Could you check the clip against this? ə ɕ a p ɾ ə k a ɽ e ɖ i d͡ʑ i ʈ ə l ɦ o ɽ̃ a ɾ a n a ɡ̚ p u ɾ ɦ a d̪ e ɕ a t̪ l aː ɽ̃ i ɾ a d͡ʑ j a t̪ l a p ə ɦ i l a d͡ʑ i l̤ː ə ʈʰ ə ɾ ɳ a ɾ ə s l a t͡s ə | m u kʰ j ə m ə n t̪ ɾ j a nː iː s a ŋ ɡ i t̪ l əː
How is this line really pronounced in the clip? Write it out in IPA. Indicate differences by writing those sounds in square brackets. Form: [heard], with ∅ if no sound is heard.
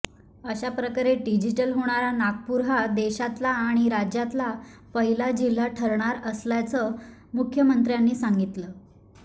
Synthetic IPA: ə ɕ a p ɾ ə k a [ɾ] e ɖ i d͡ʑ i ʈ ə l ɦ o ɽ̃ a ɾ a n a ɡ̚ p u ɾ ɦ a d̪ e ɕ a t̪ l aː ɽ̃ i ɾ a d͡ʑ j a t̪ l a p ə ɦ i l a d͡ʑ i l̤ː [a] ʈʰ ə ɾ ɳ a ɾ ə s l a t͡s ə | m u kʰ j ə m ə n t̪ ɾ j a nː iː s a ŋ ɡ i t̪ l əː

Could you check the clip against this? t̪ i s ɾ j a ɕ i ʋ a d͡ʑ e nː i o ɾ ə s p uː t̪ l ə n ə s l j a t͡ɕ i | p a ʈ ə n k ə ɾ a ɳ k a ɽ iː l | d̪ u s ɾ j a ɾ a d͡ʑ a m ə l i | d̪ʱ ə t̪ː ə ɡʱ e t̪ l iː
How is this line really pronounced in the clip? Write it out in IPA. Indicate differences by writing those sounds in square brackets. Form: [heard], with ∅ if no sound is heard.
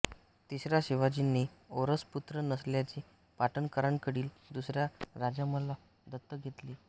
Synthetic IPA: t̪ i s ɾ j a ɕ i ʋ a d͡ʑ [i] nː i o ɾ ə s p [u] t̪ [ɾ] ə n ə s l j a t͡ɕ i | p a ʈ ə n k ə ɾ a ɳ k [ə] ɽ iː l | d̪ u s ɾ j a ɾ a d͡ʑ a m ə l [a] | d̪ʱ ə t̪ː ə ɡʱ e t̪ l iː

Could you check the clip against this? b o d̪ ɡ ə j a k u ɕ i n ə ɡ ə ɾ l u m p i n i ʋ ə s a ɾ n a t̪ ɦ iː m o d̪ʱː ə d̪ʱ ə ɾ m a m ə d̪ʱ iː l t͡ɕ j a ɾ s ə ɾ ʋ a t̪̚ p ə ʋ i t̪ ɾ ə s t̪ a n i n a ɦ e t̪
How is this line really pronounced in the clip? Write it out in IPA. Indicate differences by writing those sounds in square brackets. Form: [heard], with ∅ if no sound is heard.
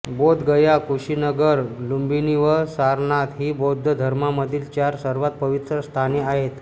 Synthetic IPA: b o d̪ ɡ ə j a k u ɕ i n ə ɡ ə ɾ l u m [b] i n i ʋ ə s a ɾ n a t̪ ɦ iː [b] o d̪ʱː ə d̪ʱ ə ɾ m a m ə d̪ʱ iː l t͡ɕ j a ɾ s ə ɾ ʋ a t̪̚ p ə ʋ i t̪ ɾ ə s [t̪ʰ] a n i [∅] a ɦ e t̪

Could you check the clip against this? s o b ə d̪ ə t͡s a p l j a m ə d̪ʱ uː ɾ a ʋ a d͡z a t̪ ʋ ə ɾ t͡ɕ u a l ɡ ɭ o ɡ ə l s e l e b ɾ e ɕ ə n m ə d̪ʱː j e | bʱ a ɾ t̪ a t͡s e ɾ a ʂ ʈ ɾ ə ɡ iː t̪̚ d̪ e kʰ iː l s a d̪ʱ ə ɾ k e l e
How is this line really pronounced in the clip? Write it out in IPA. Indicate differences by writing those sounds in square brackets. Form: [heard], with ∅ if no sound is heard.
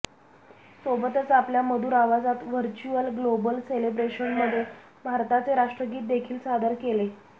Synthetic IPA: s o b ə [t̪] ə t͡s a p l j a m ə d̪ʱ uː ɾ a ʋ a d͡z a t̪ ʋ ə ɾ t͡ɕ u [ə] l ɡ [l] o [b] ə l s e l e b ɾ e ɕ ə n m ə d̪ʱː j e | bʱ a ɾ t̪ a t͡s e ɾ a ʂ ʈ ɾ ə ɡ iː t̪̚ d̪ e kʰ iː l s a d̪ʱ ə ɾ k e l e

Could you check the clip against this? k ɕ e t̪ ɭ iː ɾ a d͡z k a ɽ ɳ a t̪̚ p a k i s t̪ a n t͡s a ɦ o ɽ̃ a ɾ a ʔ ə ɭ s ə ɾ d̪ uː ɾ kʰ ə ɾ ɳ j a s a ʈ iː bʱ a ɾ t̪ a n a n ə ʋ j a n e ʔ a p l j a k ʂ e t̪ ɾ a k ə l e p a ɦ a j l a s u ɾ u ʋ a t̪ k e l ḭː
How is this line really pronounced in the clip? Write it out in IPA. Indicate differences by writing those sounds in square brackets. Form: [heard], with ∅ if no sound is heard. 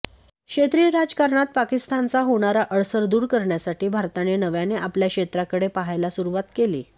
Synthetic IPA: k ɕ e t̪ [ɾ] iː ɾ a d͡z k a [ɾ] ɳ a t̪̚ p a k i s t̪ a n t͡s a ɦ o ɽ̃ a ɾ a ʔ ə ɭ s ə ɾ d̪ uː ɾ [k] ə ɾ ɳ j a s a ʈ iː bʱ a ɾ t̪ a n [e] n ə ʋ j a n e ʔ a p l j a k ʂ e t̪ ɾ a k ə [ɽ] e p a ɦ a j l a s u ɾ u ʋ a t̪ k e l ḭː

